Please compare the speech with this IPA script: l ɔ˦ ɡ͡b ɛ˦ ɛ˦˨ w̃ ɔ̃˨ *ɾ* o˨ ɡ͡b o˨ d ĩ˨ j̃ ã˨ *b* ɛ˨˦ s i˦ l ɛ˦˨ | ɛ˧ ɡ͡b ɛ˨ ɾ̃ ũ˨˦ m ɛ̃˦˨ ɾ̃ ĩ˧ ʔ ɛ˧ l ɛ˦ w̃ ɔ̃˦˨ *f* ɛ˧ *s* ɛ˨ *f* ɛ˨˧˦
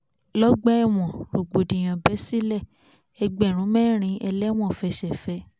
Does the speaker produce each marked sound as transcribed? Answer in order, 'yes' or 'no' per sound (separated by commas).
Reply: yes, yes, yes, no, yes